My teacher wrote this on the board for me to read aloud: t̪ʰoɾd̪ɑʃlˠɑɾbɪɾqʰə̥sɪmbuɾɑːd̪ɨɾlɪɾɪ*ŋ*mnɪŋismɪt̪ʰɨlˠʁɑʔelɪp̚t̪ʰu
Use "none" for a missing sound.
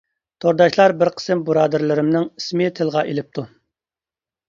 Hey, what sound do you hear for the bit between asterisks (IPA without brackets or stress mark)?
none